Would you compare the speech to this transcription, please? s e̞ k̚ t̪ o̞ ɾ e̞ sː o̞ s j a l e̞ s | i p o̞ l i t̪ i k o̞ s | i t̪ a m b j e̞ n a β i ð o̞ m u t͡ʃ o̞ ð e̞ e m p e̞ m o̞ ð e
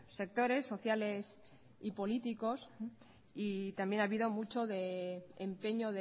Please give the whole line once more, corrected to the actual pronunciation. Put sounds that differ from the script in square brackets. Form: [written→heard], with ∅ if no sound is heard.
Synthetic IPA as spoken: s e̞ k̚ t̪ o̞ ɾ e̞ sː o̞ [s→θ] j a l e̞ s | i p o̞ l i t̪ i k o̞ s | i t̪ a m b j e̞ n a β i ð o̞ m u t͡ʃ o̞ ð e̞ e m p e̞ [m→ɲ] o̞ ð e